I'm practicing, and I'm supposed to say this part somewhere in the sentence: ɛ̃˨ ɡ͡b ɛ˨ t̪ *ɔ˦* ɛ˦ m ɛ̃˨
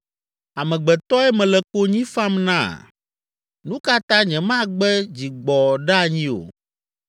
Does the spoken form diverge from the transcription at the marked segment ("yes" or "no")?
no